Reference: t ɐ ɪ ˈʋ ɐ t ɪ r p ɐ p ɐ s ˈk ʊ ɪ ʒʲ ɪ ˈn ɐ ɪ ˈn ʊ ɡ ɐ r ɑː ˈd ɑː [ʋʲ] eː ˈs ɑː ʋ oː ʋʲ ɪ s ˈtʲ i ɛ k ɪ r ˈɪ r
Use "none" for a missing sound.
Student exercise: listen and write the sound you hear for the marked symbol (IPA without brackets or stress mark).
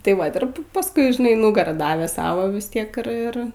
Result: ʋʲ